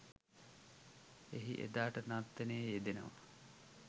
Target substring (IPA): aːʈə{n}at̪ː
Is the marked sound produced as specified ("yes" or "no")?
yes